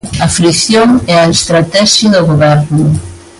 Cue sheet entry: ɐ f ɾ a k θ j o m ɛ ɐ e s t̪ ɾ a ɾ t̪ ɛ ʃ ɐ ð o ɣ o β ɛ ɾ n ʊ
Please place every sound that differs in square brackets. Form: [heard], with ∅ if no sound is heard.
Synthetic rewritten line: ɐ f ɾ [i] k θ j o [ŋ] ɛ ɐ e s t̪ ɾ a [∅] t̪ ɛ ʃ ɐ ð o ɣ o β ɛ ɾ n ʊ